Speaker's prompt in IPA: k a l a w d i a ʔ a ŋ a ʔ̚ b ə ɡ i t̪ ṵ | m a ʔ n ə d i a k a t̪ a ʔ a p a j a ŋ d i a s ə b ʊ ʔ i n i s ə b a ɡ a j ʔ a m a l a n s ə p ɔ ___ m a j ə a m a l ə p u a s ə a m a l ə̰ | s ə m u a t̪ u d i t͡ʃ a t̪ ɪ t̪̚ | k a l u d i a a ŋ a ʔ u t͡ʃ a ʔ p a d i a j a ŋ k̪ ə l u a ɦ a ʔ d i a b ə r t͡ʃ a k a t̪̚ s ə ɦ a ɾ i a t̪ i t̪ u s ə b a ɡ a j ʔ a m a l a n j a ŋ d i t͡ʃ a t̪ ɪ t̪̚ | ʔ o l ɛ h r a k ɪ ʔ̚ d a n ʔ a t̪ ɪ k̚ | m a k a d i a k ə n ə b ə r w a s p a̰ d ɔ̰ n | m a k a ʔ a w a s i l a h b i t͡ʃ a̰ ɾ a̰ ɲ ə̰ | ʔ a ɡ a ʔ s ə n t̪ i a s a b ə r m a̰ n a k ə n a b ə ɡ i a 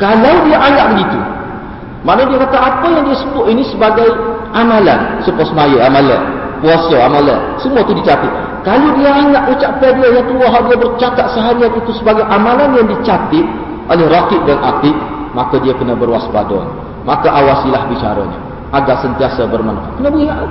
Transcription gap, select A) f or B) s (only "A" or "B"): B